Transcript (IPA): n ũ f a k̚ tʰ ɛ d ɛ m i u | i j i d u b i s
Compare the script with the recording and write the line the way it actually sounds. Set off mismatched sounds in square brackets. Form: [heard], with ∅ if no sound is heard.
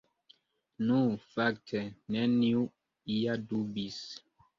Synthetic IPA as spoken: n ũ f a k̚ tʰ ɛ [n] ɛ [n] i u | i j [a] d u b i s

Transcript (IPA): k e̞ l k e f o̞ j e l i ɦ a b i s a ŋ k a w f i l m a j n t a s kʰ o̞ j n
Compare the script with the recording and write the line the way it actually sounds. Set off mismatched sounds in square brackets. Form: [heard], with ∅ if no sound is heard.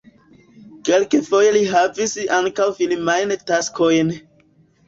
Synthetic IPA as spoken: k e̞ l k e f o̞ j e l i ɦ a [v] i s a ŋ k a w f i l m a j n t a s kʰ o̞ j n

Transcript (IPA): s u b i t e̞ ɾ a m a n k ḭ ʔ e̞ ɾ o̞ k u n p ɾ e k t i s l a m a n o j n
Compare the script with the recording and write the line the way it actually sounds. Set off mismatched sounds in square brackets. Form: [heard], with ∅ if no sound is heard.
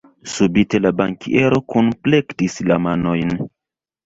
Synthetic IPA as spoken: s u b i t e̞ [l] a [b] a [ŋ] k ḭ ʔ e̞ ɾ o̞ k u n p [l] e k t i s l a m a n o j n

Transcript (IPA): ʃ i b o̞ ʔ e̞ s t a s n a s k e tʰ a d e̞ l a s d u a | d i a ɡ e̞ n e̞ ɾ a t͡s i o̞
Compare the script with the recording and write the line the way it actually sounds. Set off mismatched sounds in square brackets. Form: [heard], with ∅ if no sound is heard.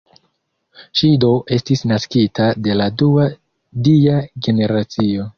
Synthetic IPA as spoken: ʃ i [d] o̞ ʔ e̞ s t [i] s n a s k [i] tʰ a d e̞ l a [∅] d u a | d i a ɡ e̞ n e̞ ɾ a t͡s i o̞

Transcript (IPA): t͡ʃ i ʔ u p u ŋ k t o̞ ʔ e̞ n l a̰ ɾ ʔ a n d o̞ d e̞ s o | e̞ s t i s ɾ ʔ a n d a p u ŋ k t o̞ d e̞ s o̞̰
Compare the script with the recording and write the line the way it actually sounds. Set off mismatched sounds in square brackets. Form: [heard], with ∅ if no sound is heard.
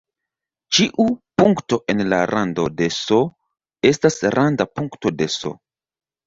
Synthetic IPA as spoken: t͡ʃ i ʔ u p u ŋ k t o̞ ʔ e̞ n l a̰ ɾ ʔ a n d o̞ d e̞ s o | e̞ s t [a] s ɾ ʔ a n d a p u ŋ k t o̞ d e̞ s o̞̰

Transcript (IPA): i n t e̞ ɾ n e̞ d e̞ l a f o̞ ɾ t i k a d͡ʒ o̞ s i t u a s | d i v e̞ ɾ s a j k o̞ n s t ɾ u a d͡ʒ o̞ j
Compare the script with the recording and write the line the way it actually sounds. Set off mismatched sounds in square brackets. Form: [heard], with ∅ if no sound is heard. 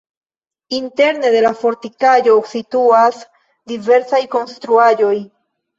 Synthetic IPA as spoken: i n t e̞ ɾ n e̞ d e̞ l a f o̞ ɾ t i k a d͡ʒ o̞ s i t u a s | d i v e̞ ɾ s a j k o̞ n s t ɾ u a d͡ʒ o̞ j

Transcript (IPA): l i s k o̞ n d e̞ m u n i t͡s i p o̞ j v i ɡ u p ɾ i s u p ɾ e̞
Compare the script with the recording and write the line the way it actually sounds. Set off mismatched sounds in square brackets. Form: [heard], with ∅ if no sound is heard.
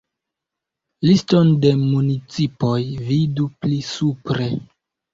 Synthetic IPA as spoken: l i s [t] o̞ n d e̞ m u n i t͡s i p o̞ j v i [d] u p [l] i s u p ɾ e̞

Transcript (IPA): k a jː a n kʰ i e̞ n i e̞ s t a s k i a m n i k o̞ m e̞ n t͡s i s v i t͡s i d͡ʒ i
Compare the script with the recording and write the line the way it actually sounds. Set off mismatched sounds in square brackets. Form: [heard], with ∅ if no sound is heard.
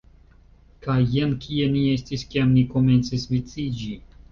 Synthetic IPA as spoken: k a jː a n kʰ i e̞ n i e̞ s t [i] s k i a m n i k o̞ m e̞ n t͡s i s v i t͡s i d͡ʒ i

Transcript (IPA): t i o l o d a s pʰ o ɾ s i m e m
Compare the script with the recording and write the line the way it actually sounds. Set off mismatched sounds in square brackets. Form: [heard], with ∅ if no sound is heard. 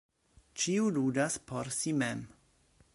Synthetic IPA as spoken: [t͡ʃ] i [u] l [u] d a s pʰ o ɾ s i m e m

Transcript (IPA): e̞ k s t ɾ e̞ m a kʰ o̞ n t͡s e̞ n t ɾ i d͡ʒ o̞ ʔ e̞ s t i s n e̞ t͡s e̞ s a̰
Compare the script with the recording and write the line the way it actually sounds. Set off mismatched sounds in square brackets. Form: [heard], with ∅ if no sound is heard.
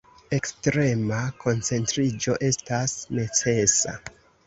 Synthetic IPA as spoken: e̞ k s t ɾ e̞ m a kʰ o̞ n t͡s e̞ n t ɾ i d͡ʒ o̞ ʔ e̞ s t [a] s n e̞ t͡s e̞ s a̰

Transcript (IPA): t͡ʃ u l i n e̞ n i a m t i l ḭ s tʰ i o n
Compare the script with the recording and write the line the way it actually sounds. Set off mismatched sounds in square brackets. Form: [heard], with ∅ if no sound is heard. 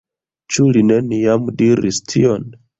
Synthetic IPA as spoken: t͡ʃ u l i n e̞ n i a m [d] i [ɾ] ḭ s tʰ i o n

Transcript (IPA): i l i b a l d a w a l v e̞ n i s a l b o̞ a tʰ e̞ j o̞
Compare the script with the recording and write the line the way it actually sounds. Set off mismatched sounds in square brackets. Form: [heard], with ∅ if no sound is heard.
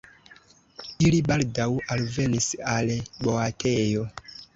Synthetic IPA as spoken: i l i b a l d a w a l v e̞ n i s a l b o̞ a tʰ e̞ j o̞

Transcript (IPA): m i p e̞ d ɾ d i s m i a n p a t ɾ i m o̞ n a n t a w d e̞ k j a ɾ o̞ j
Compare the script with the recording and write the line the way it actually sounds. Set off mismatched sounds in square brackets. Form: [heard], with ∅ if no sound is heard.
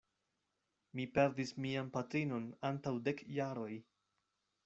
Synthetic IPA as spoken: m i p e̞ [∅] ɾ d i s m i a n p a t ɾ i [n] o̞ n a n t a w d e̞ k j a ɾ o̞ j

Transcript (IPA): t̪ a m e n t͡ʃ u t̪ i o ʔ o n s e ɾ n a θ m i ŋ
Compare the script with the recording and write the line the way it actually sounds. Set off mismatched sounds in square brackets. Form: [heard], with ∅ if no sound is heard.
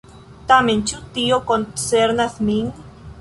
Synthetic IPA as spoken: t̪ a m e n t͡ʃ u t̪ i o [k] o n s e ɾ n a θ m i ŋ

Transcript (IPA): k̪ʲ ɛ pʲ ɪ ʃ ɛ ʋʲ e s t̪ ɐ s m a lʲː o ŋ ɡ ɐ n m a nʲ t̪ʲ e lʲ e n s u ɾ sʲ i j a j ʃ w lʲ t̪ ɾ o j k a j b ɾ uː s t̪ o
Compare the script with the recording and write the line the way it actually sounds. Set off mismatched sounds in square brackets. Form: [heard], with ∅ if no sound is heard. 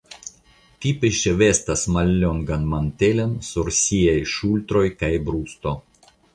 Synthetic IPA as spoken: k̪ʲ [i] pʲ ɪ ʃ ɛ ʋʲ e s t̪ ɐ s m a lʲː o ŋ ɡ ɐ n m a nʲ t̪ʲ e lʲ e n s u ɾ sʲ i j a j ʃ [u] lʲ t̪ ɾ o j k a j b ɾ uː s t̪ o

